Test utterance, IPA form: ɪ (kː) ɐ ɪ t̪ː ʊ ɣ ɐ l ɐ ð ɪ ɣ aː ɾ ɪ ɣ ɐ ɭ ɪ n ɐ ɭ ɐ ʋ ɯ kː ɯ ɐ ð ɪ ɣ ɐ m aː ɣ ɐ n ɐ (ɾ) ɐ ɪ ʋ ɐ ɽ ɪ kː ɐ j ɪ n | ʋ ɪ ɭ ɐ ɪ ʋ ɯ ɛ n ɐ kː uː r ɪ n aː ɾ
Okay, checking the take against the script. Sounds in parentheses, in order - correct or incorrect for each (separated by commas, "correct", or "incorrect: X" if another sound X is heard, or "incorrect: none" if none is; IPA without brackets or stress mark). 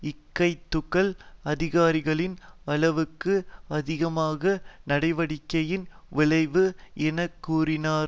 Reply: correct, incorrect: ɽ